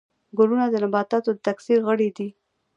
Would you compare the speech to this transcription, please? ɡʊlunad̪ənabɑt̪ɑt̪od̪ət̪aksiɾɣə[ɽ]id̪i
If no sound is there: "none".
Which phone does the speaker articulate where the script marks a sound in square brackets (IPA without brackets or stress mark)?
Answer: ɽ